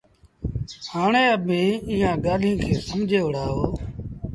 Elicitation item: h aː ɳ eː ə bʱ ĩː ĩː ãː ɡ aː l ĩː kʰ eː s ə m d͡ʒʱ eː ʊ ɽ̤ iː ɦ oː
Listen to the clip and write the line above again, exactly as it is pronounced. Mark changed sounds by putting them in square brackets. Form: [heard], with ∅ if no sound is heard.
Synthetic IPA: h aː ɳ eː ə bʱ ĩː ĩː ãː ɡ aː l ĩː kʰ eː s ə m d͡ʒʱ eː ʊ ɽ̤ [aː] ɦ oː